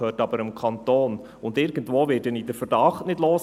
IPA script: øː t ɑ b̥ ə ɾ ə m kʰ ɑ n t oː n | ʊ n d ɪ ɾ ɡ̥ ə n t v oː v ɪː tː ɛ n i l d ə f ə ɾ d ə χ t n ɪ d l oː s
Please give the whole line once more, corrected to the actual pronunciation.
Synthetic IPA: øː t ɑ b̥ ə ɾ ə m kʰ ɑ n t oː n | ʊ n d ɪ ɾ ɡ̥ ə n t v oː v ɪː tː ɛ n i d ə f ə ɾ d ɑ χ t n ɪ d l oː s